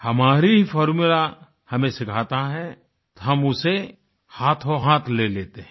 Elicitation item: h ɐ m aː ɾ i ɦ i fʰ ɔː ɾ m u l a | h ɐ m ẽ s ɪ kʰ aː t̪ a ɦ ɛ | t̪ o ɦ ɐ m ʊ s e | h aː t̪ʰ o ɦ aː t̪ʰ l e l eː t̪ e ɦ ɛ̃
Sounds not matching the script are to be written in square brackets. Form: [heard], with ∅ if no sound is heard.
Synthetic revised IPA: h ɐ m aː ɾ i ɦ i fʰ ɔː ɾ m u l a | h ɐ m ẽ s ɪ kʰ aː t̪ a ɦ ɛ | t̪ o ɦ ɐ m ʊ s e | h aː t̪ʰ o ɦ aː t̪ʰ l e l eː t̪ e ɦ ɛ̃